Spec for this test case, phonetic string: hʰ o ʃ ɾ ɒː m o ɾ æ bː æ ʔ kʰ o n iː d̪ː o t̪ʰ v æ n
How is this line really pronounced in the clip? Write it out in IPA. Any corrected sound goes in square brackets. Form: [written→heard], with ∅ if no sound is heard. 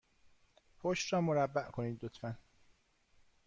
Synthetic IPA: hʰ o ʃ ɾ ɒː m o ɾ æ bː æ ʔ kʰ o n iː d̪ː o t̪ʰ [v→f] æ n